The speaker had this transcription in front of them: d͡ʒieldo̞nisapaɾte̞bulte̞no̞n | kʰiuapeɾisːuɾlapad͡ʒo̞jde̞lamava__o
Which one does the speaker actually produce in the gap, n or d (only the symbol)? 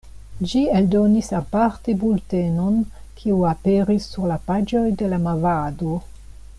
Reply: d